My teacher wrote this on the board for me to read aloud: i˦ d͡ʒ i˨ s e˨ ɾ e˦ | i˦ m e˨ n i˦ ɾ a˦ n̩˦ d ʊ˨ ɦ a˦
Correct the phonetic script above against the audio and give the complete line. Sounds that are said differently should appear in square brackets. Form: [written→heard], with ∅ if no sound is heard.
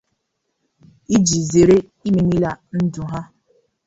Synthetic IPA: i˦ d͡ʒ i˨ [s→z] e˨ ɾ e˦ | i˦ m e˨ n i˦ [ɾ→l] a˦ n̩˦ d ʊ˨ ɦ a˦